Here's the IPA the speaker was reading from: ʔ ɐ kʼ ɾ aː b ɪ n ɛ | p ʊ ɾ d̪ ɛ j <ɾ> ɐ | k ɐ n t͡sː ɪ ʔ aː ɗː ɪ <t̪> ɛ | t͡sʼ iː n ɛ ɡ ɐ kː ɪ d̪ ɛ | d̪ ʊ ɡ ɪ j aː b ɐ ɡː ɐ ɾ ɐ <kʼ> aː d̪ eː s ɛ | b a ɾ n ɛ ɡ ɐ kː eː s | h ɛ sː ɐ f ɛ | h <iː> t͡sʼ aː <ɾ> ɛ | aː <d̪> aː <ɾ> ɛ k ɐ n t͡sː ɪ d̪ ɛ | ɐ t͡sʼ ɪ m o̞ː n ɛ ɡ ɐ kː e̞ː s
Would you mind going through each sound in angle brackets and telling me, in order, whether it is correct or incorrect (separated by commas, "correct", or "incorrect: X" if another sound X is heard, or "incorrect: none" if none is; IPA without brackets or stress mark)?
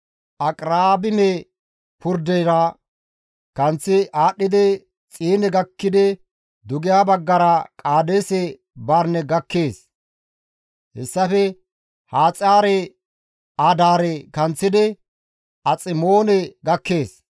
correct, incorrect: d̪, correct, incorrect: aː, correct, correct, correct